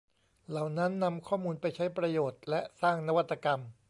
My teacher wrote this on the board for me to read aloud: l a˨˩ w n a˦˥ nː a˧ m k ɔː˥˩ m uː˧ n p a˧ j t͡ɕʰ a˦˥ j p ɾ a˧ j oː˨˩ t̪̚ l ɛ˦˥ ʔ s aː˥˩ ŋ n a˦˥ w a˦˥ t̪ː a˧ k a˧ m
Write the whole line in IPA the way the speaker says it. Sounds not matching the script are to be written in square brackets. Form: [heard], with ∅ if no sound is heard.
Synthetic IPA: l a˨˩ w n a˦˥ nː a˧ m [kʰ] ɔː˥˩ m uː˧ n p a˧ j t͡ɕʰ a˦˥ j p ɾ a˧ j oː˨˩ t̪̚ l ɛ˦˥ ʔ s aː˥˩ ŋ n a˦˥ w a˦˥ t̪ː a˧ k a˧ m